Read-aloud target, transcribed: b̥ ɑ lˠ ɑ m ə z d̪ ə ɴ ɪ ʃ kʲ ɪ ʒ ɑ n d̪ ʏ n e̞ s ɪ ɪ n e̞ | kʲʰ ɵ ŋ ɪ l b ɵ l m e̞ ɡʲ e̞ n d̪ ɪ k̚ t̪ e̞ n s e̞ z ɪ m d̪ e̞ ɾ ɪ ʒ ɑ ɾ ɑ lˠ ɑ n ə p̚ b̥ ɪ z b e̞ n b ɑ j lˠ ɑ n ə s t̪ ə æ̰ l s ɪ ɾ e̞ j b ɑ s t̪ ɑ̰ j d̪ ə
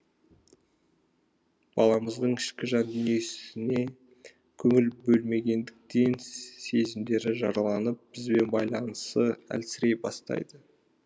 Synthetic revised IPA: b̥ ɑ lˠ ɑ m ə z d̪ ə ɴ ɪ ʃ kʲ ɪ ʒ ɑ n d̪ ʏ n e̞ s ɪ ɪ n e̞ | kʲʰ ɵ ŋ ɪ l b ɵ l m e̞ ɡʲ e̞ n d̪ ɪ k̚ t̪ e̞ n s e̞ z ɪ m d̪ e̞ ɾ ɪ ʒ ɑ ɾ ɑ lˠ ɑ n ə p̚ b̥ ɪ z b e̞ n b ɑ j lˠ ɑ n ə s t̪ ə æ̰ l s ɪ ɾ e̞ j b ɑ s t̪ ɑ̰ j d̪ ə